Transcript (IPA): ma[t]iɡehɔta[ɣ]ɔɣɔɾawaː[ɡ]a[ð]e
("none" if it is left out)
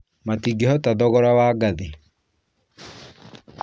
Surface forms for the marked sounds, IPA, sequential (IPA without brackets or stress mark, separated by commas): t, ð, ɡ, ð